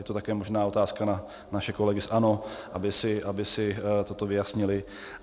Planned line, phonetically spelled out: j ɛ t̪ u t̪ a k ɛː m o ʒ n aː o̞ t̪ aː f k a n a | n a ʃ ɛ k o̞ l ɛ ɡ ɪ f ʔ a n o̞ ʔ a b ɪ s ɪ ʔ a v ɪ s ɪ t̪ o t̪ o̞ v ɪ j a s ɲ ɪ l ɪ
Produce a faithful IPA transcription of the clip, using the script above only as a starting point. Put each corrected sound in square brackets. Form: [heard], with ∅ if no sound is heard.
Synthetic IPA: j ɛ t̪ [o] t̪ a k ɛː m o ʒ n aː o̞ t̪ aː [s] k a n a | n a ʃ ɛ k o̞ l ɛ ɡ ɪ [s] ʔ a n o̞ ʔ a b ɪ s ɪ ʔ a [b] ɪ s ɪ t̪ o t̪ o̞ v ɪ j a s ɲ ɪ l ɪ